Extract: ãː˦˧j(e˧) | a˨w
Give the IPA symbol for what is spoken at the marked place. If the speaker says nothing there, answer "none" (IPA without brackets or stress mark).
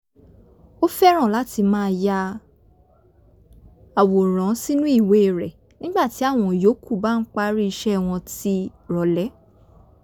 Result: a˧